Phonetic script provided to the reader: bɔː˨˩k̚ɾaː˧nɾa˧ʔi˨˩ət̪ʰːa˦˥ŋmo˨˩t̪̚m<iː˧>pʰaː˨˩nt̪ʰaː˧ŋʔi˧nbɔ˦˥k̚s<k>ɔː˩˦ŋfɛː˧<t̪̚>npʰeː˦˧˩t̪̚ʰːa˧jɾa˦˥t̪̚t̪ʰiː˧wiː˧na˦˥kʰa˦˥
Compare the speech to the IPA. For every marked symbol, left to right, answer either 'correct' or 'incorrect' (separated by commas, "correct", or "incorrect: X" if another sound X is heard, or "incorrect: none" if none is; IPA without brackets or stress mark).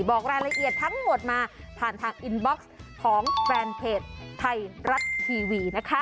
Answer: incorrect: aː˧, incorrect: kʰ, incorrect: none